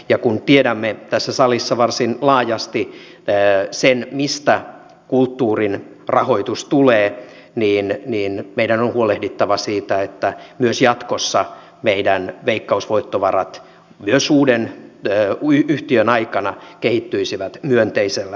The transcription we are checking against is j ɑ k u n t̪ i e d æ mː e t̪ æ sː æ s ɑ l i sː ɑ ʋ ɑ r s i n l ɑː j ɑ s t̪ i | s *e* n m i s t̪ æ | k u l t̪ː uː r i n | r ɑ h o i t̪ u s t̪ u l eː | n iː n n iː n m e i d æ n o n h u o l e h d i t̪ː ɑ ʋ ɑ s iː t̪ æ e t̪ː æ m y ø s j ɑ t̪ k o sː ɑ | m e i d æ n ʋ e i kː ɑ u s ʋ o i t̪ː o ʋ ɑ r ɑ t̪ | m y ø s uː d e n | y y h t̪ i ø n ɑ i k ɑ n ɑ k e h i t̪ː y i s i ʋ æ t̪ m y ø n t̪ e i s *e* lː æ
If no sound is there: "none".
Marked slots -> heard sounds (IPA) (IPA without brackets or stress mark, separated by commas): e, e